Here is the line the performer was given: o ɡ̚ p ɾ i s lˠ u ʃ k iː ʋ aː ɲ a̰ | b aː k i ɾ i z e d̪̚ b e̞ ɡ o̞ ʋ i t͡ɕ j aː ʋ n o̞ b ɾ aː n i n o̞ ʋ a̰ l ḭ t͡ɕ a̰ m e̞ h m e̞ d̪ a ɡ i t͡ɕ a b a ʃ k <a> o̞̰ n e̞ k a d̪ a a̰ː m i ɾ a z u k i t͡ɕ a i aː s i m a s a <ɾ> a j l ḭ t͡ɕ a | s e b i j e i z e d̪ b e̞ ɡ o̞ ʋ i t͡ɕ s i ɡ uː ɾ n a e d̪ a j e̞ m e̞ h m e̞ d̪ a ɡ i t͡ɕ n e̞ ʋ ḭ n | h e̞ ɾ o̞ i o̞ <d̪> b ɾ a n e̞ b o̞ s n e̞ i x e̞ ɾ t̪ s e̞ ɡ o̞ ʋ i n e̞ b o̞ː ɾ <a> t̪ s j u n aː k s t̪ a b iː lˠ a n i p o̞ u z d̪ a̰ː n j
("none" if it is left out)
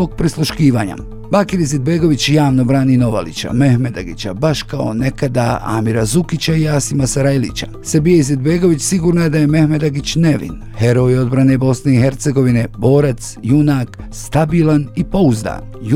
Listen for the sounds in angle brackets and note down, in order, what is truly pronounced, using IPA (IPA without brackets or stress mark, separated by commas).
a, ɾ, d̪, a